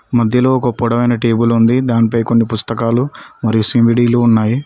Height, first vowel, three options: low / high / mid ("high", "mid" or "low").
low